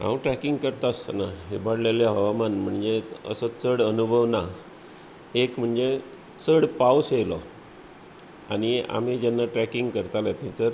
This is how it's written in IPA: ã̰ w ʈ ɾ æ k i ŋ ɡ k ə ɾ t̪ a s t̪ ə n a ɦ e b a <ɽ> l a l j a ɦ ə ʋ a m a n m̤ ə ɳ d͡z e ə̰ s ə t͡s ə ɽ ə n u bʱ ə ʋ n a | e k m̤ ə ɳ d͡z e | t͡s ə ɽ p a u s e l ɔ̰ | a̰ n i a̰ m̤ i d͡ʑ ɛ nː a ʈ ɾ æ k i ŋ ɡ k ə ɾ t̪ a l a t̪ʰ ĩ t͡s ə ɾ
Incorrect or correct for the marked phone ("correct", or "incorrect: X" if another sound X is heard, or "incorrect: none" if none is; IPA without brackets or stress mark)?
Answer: correct